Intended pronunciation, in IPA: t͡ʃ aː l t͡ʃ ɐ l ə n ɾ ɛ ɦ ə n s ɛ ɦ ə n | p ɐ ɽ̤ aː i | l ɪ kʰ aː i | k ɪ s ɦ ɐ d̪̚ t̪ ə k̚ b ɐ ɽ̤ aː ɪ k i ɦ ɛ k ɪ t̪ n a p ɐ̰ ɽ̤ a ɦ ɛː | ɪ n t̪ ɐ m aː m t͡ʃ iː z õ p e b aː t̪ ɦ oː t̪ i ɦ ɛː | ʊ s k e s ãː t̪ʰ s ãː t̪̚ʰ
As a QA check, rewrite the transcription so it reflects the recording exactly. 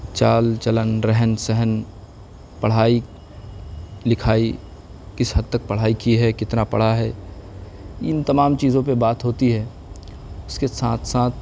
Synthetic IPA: t͡ʃ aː l t͡ʃ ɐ l ə n ɾ ɛ ɦ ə n s ɛ ɦ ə n | p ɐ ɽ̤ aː i | l ɪ kʰ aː i | k ɪ s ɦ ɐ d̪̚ t̪ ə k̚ p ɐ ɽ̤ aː i k i ɦ ɛ k ɪ t̪ n a p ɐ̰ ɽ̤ a ɦ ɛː | ɪ n t̪ ɐ m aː m t͡ʃ iː z õ p e b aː t̪ ɦ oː t̪ i ɦ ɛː | ʊ s k e s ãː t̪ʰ s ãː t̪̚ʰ